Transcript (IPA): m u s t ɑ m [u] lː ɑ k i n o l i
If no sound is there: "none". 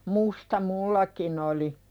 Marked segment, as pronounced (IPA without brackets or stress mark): u